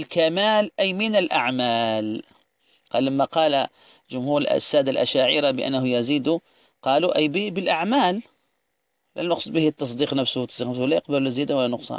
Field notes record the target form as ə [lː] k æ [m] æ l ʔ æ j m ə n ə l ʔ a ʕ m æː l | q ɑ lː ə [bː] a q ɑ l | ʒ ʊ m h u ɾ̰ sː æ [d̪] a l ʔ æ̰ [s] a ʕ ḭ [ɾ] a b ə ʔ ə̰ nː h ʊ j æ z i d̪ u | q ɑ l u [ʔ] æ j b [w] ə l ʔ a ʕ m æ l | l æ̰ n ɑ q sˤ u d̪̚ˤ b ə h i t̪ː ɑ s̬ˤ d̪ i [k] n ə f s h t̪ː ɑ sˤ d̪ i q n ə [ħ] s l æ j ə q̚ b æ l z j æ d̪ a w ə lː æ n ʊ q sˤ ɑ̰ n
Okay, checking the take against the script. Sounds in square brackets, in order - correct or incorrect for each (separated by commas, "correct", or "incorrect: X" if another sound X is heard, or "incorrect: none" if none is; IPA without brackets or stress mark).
incorrect: l, correct, incorrect: mː, correct, incorrect: ʃ, correct, correct, incorrect: b, incorrect: q, incorrect: f